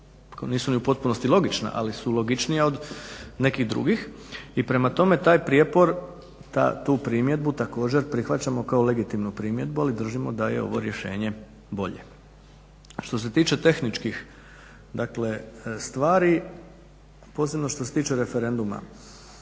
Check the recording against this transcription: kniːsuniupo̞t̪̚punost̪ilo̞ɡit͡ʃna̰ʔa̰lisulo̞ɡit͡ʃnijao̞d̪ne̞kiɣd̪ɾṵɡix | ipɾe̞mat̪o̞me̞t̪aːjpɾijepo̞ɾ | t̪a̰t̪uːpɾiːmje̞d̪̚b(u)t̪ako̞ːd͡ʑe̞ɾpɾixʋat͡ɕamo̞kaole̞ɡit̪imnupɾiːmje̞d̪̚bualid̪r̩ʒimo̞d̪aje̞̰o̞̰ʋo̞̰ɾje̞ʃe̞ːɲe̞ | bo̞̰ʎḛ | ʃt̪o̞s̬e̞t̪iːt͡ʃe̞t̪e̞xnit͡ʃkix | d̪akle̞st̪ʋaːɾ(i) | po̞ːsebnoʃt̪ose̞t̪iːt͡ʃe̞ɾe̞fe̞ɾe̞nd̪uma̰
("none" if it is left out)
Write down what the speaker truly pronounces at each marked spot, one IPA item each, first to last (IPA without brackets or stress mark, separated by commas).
u, i